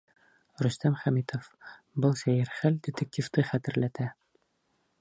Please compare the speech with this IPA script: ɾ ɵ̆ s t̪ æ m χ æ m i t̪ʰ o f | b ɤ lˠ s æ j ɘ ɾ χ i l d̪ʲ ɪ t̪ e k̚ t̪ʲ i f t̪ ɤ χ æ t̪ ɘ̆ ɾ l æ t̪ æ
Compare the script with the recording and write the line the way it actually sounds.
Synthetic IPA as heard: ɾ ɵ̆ s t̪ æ m χ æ m i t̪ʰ o f | b ɤ lˠ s æ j ɘ ɾ χ æ l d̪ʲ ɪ t̪ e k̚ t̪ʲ i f t̪ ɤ χ æ t̪ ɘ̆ ɾ l æ t̪ æ